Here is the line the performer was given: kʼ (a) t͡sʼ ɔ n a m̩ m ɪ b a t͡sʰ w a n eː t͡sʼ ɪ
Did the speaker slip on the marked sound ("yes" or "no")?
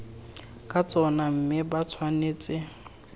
no